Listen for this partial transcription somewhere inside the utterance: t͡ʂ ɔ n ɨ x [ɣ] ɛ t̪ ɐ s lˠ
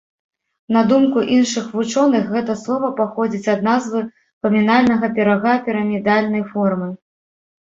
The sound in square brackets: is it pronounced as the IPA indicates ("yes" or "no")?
yes